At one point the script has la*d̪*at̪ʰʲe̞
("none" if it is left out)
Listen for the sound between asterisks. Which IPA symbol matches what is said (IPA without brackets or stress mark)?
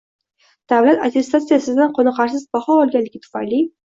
t̪